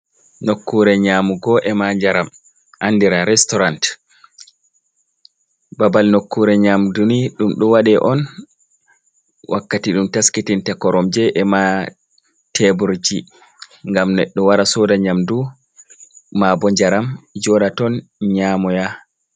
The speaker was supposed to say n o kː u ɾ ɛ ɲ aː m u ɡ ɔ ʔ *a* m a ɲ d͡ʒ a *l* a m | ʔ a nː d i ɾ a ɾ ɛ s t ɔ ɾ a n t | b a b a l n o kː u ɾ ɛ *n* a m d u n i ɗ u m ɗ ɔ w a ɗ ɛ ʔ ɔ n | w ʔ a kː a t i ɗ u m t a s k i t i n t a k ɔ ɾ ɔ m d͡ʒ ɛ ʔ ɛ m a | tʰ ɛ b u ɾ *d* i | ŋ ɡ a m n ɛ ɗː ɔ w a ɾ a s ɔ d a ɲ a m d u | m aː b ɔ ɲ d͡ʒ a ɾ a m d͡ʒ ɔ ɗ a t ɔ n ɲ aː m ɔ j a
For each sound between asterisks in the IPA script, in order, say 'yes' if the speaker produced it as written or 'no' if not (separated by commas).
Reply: no, no, no, no